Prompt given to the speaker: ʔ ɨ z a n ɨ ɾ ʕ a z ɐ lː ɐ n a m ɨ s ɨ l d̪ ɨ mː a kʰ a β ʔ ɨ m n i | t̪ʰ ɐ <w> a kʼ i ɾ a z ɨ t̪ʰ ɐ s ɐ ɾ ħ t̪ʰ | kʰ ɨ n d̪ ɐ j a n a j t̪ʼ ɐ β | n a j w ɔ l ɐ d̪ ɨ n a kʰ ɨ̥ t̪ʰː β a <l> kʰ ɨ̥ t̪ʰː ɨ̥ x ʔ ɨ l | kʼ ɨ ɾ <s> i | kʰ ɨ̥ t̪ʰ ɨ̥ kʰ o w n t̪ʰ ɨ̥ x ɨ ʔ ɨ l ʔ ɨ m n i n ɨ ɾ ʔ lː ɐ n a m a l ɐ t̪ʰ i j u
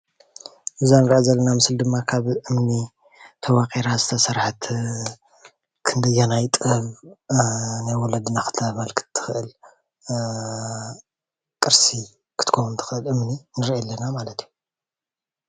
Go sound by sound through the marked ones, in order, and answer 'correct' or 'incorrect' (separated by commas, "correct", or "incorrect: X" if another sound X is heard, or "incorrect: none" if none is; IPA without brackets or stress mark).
correct, correct, correct